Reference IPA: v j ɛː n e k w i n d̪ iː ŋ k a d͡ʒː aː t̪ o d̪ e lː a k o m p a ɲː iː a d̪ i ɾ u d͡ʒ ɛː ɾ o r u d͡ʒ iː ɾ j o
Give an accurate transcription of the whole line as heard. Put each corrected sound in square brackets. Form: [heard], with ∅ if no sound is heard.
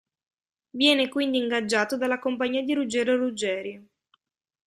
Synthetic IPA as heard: v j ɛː n e k w i n d̪ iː ŋ [ɡ] a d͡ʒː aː t̪ o d̪ [a] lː a k o m p a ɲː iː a d̪ i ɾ u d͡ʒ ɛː ɾ o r u d͡ʒ [ɛː] ɾ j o